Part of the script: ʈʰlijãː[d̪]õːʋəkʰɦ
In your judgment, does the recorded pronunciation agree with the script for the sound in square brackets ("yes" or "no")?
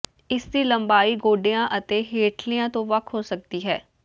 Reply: no